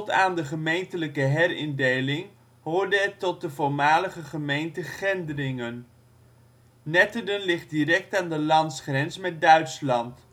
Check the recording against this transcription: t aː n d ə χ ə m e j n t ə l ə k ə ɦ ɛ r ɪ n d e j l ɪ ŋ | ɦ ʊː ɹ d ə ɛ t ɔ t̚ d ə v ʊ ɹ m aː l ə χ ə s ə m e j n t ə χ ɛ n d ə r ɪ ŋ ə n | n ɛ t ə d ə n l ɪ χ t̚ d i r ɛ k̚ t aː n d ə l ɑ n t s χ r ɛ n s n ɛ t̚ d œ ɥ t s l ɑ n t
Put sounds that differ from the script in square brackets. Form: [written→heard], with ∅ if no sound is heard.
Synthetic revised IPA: t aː n d ə χ ə m e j n t ə l ə k ə ɦ ɛ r ɪ n d e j l ɪ ŋ | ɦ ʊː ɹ d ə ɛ t ɔ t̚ d ə v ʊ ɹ m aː l ə χ ə [s→χ] ə m e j n t ə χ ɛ n d ə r ɪ ŋ ə n | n ɛ t ə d ə n l ɪ χ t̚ d i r ɛ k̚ t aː n d ə l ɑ n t s χ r ɛ n s [n→m] ɛ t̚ d œ ɥ t s l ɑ n t